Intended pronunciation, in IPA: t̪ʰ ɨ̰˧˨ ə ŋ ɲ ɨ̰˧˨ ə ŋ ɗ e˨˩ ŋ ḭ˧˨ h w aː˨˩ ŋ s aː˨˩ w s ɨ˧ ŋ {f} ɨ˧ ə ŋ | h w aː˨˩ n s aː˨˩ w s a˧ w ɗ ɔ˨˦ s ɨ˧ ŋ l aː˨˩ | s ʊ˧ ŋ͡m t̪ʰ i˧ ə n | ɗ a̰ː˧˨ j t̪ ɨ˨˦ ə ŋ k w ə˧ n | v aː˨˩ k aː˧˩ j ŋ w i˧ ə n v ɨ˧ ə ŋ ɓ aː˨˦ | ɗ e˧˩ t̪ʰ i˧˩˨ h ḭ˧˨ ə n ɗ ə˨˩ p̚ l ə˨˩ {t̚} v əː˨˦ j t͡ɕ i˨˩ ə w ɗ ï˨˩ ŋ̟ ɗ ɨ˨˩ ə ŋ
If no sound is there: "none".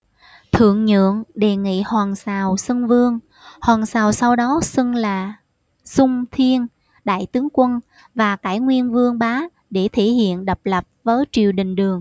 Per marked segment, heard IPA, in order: v, p̚

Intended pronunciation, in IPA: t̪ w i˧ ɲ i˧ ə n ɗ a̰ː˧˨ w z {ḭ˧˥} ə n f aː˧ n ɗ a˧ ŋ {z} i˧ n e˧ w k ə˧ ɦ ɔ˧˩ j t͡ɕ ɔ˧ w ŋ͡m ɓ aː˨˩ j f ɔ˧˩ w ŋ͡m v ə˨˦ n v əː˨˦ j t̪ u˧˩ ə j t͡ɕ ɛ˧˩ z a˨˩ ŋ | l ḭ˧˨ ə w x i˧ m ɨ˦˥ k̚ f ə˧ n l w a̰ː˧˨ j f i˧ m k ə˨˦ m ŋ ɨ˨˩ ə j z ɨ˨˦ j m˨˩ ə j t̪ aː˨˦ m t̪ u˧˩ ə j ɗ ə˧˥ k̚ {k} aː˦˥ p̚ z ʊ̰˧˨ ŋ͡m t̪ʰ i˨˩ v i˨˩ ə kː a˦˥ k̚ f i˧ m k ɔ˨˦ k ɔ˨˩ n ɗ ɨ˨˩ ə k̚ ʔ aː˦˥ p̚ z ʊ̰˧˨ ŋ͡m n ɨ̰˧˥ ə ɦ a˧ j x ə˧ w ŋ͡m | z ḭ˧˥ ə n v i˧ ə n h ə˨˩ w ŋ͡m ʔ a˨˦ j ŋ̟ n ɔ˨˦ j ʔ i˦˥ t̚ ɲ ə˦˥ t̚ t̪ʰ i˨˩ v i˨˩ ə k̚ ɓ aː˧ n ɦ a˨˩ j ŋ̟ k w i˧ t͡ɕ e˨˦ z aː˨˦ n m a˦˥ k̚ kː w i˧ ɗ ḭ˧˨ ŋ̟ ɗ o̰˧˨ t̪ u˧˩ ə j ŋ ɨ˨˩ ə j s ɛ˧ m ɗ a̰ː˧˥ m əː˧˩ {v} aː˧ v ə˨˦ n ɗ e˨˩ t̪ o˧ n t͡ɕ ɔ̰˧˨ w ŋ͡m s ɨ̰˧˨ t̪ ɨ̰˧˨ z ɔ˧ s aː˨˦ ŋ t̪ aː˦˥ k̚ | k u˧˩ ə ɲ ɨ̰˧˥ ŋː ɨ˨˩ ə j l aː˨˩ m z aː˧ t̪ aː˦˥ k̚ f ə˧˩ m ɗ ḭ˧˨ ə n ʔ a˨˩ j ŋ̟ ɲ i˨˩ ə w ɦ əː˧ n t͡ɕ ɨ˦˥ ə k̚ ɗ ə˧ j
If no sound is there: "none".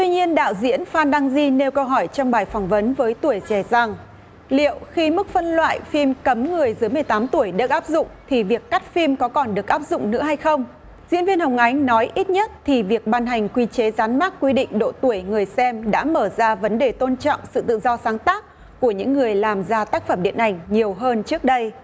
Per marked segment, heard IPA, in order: ḭ˧˥, z, ʔ, z

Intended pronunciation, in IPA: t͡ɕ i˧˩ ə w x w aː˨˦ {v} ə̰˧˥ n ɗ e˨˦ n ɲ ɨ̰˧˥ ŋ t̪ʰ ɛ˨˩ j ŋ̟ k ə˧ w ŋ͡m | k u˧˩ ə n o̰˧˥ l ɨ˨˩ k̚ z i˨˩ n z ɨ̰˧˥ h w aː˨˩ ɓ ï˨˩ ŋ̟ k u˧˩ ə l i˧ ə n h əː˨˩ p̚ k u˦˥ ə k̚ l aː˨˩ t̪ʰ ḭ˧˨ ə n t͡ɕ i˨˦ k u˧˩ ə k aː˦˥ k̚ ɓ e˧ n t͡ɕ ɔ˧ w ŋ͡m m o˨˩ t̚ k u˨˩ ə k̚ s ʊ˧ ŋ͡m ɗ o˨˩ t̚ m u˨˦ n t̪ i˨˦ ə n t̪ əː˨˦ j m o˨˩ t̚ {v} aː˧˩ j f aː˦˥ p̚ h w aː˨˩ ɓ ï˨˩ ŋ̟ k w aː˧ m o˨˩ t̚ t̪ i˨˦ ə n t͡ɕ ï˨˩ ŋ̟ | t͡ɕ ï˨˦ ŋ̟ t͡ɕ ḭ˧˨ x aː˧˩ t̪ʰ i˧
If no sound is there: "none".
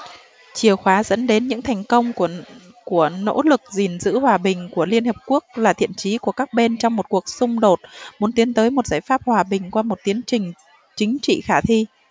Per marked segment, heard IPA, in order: z, z

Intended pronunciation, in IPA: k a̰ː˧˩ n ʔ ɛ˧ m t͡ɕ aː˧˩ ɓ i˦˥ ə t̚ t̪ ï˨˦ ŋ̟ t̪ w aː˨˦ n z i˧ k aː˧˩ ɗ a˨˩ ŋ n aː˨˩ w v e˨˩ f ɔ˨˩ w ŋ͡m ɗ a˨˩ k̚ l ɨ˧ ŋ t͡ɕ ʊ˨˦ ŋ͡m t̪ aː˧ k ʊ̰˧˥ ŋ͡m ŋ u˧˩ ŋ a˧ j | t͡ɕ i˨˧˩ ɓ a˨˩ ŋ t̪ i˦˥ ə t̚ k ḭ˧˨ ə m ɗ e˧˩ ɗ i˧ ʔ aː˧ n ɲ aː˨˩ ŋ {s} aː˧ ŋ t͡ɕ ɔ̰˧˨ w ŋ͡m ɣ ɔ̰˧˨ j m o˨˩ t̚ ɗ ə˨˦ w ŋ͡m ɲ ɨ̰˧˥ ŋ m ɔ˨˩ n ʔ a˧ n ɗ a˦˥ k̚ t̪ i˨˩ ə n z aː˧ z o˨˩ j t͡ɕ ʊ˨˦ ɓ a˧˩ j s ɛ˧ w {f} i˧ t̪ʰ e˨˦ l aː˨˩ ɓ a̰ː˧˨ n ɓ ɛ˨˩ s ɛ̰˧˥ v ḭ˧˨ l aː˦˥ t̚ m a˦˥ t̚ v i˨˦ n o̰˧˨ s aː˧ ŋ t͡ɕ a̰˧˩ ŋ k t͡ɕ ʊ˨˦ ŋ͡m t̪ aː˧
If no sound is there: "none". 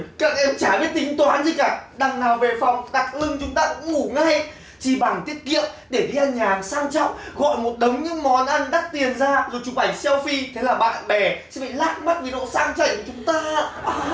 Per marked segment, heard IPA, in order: s, f

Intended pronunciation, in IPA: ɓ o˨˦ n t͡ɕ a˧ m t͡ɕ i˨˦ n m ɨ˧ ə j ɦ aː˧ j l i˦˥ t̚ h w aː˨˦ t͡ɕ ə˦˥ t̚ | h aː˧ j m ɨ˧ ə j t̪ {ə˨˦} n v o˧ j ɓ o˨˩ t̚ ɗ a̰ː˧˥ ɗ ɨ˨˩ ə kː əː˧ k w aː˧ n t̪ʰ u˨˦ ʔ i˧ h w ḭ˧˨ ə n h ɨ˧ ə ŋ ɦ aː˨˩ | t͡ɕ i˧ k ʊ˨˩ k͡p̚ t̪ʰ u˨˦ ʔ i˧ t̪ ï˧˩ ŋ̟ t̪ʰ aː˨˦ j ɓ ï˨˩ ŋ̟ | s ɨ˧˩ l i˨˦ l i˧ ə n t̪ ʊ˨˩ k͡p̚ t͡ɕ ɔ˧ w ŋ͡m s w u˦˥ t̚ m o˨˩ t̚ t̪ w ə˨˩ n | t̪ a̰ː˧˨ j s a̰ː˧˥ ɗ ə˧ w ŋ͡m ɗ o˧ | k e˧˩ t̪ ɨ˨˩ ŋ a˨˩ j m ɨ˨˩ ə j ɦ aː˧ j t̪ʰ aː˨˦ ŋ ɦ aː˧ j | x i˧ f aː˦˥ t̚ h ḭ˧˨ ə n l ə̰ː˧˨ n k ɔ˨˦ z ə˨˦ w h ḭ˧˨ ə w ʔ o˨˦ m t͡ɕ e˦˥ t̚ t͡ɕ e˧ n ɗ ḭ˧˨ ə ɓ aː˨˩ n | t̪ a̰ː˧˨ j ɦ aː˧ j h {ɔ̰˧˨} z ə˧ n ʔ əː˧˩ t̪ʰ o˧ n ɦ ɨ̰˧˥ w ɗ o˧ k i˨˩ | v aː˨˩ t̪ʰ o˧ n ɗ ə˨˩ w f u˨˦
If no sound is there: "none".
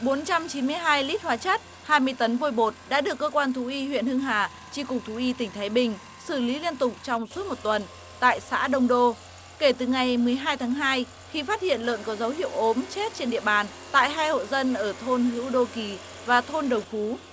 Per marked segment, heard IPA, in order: ə˨˦, o̰˧˨

